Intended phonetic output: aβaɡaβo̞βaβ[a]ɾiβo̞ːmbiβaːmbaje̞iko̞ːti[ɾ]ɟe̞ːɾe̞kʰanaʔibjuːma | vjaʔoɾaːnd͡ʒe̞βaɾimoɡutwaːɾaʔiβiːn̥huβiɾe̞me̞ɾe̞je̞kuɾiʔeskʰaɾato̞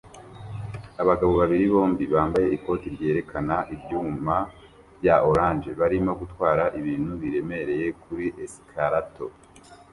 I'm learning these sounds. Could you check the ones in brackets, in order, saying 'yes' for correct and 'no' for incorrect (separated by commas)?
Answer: no, yes